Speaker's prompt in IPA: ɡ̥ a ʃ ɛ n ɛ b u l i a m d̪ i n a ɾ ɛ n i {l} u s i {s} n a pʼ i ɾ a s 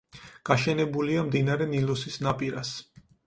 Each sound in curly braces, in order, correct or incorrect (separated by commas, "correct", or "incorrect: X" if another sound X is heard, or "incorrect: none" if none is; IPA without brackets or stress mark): correct, correct